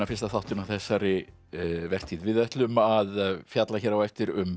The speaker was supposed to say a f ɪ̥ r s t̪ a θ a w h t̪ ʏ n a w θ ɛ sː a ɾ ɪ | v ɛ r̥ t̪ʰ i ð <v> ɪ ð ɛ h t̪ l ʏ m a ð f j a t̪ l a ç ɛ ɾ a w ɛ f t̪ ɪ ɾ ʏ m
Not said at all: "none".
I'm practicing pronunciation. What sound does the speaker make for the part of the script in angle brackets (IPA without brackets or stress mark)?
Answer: v